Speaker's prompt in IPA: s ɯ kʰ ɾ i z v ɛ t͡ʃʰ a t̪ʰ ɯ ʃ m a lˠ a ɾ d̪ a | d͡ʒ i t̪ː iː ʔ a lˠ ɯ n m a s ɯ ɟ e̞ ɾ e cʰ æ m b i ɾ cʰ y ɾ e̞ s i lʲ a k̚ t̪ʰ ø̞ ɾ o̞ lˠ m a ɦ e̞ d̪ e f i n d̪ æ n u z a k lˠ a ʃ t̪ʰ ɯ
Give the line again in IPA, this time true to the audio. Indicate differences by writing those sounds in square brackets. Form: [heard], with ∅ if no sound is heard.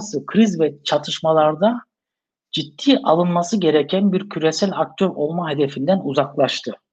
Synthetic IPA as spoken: s ɯ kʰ ɾ i z v ɛ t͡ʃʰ a t̪ʰ ɯ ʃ m a lˠ a ɾ d̪ a | d͡ʒ i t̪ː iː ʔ a lˠ ɯ n m a s ɯ ɟ e̞ ɾ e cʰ æ [n] b i ɾ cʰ y ɾ e̞ s [æ] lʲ a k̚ t̪ʰ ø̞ ɾ o̞ lˠ m a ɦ e̞ d̪ e f i n d̪ æ n u z a k lˠ a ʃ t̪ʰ ɯ